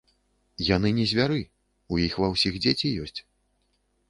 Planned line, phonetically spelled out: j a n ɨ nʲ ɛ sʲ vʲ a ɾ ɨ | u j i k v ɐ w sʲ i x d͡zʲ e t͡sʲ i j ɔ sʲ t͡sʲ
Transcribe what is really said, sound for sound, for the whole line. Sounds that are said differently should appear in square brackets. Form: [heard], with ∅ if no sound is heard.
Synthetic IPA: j a n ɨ nʲ ɛ [zʲ] vʲ a ɾ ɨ | u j i [x] v ɐ w sʲ i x d͡zʲ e t͡sʲ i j ɔ sʲ t͡sʲ

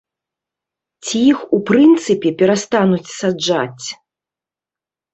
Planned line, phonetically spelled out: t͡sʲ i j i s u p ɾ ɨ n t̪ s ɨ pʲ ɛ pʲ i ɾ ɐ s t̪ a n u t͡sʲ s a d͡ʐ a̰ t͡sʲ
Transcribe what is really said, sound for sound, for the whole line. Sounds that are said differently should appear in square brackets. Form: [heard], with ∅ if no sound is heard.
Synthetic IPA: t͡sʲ i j i [x] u p ɾ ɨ n t̪ s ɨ pʲ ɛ pʲ [ɛ] ɾ [a] s t̪ a n u t͡sʲ s a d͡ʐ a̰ t͡sʲ

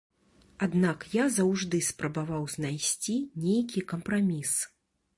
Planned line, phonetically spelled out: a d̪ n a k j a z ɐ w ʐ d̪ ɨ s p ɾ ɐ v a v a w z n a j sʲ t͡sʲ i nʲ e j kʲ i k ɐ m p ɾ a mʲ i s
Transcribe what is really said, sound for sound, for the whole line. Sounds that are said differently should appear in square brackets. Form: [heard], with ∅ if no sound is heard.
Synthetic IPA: a d̪ n a k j a z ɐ w ʐ d̪ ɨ s p ɾ ɐ [b] a v a w z n a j sʲ t͡sʲ i nʲ e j kʲ i k ɐ m p ɾ a mʲ i s

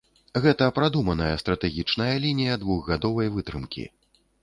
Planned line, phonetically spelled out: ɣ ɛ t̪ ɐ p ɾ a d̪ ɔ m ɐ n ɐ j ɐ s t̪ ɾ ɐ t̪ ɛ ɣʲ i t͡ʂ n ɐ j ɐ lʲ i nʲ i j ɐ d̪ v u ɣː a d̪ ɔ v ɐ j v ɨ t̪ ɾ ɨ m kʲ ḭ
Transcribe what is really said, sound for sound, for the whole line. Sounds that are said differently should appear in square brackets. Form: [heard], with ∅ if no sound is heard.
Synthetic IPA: ɣ ɛ t̪ ɐ p ɾ a d̪ [u] m ɐ n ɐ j ɐ s t̪ ɾ ɐ t̪ ɛ ɣʲ i t͡ʂ n ɐ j ɐ lʲ i nʲ i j ɐ d̪ v u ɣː a d̪ ɔ v ɐ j v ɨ t̪ ɾ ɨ m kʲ ḭ

